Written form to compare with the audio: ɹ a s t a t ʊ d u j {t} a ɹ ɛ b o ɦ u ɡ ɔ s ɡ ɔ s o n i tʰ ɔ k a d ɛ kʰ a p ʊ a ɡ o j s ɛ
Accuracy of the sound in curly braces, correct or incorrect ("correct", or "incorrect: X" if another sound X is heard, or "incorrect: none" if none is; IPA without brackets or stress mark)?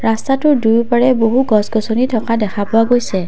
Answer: incorrect: p